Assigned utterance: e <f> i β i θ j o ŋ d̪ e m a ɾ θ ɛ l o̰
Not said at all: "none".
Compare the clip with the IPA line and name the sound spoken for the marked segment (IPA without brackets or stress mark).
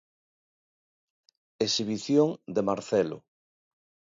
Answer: s